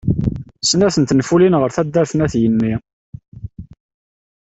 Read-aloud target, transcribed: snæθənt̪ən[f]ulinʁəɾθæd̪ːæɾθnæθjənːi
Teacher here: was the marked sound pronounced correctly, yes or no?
yes